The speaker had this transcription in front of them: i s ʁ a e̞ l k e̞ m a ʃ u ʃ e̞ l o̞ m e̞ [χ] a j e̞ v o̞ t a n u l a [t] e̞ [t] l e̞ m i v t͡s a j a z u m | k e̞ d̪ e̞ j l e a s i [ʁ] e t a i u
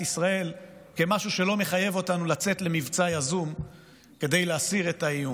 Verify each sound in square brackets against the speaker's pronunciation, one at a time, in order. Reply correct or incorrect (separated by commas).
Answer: correct, incorrect, correct, correct